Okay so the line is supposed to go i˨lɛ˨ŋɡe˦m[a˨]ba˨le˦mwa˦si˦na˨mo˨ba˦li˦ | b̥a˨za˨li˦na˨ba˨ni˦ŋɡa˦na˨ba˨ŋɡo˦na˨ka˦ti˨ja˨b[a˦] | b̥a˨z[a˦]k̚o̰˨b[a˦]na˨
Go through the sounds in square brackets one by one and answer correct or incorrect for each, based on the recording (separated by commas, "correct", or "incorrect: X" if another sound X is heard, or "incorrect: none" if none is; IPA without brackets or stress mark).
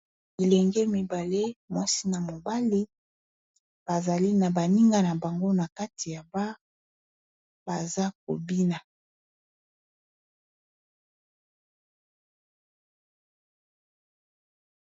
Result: incorrect: i˨, correct, correct, incorrect: i˦